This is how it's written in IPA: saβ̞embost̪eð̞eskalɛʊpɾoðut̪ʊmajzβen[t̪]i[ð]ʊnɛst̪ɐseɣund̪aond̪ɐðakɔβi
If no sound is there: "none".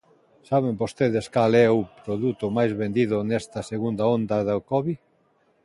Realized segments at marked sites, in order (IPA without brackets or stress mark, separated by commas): d̪, ð